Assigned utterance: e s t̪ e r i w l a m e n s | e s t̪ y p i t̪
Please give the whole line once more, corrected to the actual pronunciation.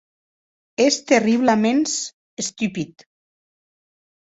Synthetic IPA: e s t̪ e r i β l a m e n s | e s t̪ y p i t̪